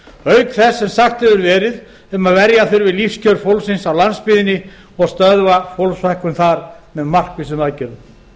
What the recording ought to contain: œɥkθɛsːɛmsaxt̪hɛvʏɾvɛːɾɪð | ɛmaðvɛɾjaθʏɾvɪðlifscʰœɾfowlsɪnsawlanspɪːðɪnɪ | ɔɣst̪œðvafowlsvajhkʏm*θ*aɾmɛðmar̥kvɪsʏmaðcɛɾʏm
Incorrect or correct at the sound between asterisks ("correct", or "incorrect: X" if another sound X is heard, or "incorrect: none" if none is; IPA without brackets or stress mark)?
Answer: correct